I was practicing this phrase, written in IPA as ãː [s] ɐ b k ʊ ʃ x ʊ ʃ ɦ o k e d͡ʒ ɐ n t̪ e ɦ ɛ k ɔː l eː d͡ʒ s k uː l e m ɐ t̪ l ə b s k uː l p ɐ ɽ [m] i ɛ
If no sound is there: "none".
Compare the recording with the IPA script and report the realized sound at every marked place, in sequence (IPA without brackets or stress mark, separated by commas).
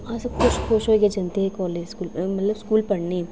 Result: s, n